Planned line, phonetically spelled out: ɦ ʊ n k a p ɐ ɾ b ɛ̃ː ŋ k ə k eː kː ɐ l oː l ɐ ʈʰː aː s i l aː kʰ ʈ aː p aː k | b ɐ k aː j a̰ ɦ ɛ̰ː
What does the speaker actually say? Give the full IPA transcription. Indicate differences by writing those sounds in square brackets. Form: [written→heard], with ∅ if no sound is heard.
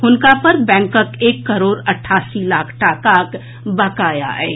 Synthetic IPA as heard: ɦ ʊ n k a p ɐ ɾ b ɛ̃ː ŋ k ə k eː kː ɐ [l→ɾ] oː [l→ɾ] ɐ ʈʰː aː s i l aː kʰ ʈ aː [p→k] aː k | b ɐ k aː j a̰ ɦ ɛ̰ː